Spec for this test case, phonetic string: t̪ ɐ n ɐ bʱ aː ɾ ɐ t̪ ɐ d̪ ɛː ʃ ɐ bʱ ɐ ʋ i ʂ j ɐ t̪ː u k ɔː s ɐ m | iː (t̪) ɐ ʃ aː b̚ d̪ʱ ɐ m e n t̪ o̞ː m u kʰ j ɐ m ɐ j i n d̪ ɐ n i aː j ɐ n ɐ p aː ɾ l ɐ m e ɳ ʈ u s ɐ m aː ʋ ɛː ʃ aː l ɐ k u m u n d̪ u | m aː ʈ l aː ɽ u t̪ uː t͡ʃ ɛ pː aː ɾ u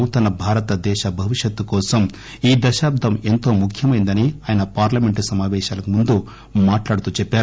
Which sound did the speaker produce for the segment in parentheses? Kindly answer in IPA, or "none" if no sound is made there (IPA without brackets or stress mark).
d̪